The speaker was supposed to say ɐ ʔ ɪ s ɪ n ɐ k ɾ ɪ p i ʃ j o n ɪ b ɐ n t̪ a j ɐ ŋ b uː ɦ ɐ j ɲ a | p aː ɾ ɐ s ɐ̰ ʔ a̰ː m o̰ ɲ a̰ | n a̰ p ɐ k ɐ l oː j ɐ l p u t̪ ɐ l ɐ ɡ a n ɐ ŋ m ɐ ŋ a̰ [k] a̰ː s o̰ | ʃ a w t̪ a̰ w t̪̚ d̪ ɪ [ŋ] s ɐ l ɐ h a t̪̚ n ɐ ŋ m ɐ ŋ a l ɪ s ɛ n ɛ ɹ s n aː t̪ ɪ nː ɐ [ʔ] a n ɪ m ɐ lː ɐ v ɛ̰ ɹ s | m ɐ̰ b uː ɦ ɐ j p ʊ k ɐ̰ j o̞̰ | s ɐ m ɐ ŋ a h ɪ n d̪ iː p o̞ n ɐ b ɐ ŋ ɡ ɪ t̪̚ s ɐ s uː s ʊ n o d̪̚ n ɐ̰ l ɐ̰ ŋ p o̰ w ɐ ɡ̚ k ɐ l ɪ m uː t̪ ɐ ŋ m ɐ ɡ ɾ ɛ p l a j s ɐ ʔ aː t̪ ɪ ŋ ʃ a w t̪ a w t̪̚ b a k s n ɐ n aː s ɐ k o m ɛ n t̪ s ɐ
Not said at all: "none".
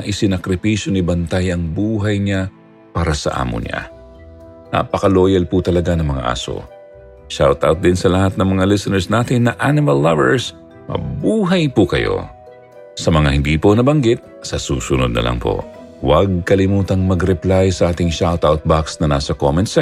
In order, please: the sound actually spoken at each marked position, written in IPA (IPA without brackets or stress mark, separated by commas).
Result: ʔ, n, ʔ